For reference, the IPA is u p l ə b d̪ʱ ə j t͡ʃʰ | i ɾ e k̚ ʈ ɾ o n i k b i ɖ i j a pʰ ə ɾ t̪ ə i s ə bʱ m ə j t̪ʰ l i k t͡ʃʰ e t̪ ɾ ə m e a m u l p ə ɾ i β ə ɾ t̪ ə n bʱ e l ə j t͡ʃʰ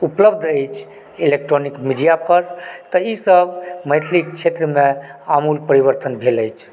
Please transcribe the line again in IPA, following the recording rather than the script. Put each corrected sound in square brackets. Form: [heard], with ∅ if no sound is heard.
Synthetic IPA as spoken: u p l ə b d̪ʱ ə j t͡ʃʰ | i [l] e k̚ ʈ ɾ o n i k [m] i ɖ i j a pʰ ə ɾ t̪ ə i s ə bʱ m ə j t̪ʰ l i k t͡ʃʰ e t̪ ɾ ə m e a m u l p ə ɾ i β ə ɾ t̪ ə n bʱ e l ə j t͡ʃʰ